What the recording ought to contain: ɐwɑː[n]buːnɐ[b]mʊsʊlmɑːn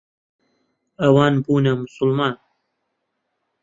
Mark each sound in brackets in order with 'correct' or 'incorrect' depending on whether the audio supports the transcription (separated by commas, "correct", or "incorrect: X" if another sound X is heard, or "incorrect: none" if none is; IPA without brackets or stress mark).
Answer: correct, incorrect: none